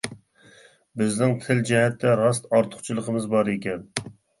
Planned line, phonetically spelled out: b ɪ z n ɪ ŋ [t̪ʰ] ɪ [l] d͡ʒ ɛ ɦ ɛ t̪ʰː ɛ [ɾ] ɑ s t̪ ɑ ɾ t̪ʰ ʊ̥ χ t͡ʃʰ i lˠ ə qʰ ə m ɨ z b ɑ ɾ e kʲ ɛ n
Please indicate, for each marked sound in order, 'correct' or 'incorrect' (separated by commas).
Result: correct, correct, correct